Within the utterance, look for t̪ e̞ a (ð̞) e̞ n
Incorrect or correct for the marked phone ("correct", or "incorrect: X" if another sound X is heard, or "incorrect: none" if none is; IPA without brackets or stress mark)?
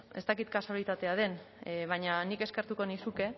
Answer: correct